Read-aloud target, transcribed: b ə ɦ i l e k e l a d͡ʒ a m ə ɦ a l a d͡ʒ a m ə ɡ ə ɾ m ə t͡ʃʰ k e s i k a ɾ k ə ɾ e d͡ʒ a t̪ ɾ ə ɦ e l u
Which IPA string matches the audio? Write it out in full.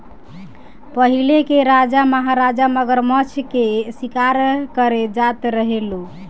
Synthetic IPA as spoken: p ə ɦ i l e k e ɾ a d͡ʒ a m ə ɦ a ɾ a d͡ʒ a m ə ɡ ə ɾ m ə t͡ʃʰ k e s i k a ɾ k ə ɾ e d͡ʒ a t̪ ɾ ə ɦ e l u